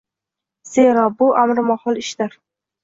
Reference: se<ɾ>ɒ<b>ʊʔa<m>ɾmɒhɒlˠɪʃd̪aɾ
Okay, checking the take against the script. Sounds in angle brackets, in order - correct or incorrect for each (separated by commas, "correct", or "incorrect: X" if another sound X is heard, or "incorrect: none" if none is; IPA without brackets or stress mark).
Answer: correct, correct, correct